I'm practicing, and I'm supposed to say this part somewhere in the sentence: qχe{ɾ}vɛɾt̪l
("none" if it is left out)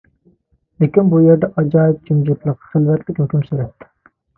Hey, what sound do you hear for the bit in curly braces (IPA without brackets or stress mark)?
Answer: l